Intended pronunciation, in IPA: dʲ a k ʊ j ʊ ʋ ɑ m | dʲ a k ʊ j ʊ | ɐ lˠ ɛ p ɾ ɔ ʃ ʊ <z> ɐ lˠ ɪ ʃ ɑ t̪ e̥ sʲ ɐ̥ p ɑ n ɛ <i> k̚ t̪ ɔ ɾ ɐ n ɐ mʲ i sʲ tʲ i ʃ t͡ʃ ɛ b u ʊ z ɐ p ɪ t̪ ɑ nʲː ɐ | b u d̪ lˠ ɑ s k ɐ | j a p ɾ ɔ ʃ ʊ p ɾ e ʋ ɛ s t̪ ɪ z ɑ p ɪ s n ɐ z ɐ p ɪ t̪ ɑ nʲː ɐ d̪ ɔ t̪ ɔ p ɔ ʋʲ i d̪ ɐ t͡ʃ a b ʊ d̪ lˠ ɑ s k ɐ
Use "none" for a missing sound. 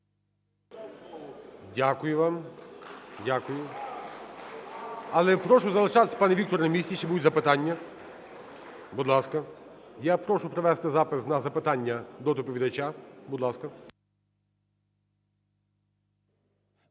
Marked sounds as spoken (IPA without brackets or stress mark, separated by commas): z, i